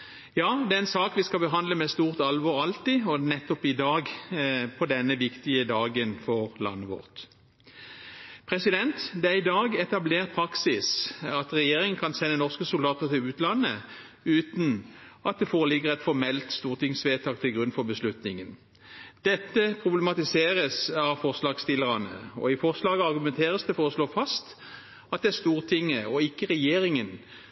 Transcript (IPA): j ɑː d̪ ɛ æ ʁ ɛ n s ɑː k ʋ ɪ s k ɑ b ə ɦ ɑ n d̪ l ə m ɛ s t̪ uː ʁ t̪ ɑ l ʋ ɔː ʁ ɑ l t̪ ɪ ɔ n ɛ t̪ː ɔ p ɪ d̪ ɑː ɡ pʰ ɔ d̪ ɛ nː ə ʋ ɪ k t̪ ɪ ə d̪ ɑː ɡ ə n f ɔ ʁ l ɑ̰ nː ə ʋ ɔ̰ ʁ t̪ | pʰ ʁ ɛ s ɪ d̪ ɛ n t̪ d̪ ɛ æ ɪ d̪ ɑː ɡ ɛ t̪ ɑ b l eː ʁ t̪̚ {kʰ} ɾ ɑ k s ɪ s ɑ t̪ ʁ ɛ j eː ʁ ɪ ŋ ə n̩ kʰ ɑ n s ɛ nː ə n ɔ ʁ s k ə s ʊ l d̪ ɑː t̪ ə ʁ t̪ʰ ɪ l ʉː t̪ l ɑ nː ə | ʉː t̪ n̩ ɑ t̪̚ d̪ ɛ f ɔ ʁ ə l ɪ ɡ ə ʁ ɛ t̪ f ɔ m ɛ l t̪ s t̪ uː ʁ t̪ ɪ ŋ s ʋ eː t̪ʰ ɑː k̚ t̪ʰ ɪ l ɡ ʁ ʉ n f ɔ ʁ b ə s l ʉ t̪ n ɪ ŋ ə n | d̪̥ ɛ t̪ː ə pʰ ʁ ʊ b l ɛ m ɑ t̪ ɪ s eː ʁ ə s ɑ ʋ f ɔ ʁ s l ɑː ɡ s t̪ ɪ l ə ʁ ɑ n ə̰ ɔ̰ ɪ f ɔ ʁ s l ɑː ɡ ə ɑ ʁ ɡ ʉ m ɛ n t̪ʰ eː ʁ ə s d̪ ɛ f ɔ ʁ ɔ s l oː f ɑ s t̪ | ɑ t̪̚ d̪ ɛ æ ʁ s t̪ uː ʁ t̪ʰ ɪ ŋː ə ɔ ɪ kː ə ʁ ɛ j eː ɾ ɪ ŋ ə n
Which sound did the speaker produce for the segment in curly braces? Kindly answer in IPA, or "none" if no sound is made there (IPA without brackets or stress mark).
pʰ